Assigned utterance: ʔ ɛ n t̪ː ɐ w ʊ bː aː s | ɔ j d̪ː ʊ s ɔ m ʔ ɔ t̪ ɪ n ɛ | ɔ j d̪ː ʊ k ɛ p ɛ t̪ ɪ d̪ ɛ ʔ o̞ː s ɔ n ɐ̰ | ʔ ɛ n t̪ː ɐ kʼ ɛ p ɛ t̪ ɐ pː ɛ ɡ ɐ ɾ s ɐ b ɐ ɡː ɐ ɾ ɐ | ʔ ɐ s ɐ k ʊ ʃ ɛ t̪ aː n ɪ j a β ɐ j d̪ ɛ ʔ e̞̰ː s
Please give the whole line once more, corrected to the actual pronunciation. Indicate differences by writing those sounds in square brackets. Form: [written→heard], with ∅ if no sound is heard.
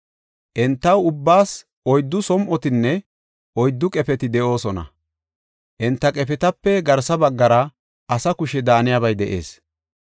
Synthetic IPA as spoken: ʔ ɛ n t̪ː ɐ w ʊ bː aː s | ɔ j d̪ː ʊ s ɔ m ʔ ɔ t̪ ɪ [n→nː] ɛ | ɔ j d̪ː ʊ [k→kʼ] ɛ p ɛ t̪ ɪ d̪ ɛ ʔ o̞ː s ɔ n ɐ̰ | ʔ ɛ n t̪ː ɐ kʼ ɛ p ɛ t̪ ɐ pː ɛ ɡ ɐ ɾ s ɐ b ɐ ɡː ɐ ɾ ɐ | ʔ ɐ s ɐ k ʊ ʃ ɛ [t̪→d̪] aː n ɪ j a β ɐ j d̪ ɛ ʔ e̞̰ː s